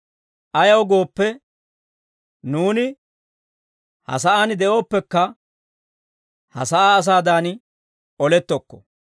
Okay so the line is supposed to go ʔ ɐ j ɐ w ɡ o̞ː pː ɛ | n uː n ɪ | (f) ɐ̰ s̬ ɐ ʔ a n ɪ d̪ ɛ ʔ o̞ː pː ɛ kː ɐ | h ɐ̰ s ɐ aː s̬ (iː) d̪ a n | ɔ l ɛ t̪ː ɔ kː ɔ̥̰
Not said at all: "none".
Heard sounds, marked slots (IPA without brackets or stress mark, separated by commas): h, aː